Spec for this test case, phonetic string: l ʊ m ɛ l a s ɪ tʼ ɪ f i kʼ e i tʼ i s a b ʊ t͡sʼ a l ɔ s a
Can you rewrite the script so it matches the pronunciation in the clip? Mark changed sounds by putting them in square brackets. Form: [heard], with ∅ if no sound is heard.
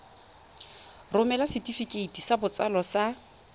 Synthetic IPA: [r] ʊ m ɛ l a s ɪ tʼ [i] f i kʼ e i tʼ i s a b ʊ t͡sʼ a l ɔ s a